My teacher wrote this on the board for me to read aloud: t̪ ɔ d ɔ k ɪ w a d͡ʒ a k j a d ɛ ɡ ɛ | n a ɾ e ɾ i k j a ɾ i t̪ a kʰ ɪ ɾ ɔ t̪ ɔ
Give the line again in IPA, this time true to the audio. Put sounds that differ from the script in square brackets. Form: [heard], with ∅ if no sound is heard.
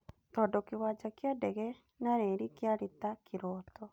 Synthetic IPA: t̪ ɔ d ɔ k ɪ w a d͡ʒ a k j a d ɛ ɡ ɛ | n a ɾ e ɾ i k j a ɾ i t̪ a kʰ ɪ ɾ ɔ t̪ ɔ

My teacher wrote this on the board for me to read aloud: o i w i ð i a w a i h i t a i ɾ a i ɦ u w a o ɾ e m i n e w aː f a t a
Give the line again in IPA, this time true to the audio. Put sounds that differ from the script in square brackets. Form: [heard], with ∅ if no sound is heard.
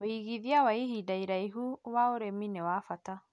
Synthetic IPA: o i [ɣ] i ð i a w a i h i [d] a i ɾ a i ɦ u w a o ɾ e m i n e w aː f a t a

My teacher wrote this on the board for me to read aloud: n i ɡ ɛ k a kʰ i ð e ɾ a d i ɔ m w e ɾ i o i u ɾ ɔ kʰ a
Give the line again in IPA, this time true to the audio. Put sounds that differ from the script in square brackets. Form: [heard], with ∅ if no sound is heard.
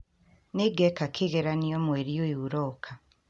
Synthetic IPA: n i ɡ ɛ k a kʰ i [ɣ] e ɾ a [n] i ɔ m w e ɾ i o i u ɾ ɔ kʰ a

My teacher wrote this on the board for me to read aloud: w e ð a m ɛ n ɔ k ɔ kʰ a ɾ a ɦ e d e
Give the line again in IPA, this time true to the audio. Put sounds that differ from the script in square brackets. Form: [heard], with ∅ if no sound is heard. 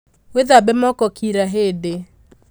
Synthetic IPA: w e ð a [b] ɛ [m] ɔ k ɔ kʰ [i] ɾ a ɦ e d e

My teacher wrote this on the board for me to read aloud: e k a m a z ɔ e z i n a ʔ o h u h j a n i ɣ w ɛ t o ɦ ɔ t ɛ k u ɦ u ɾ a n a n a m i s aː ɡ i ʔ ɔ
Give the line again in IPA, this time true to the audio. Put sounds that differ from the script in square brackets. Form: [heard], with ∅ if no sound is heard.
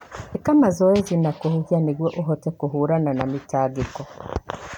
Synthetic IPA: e k a m a z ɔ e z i n a [k] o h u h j a n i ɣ w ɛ [ʔ] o ɦ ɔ t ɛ k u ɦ u ɾ a n a n a m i [t] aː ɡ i [k] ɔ

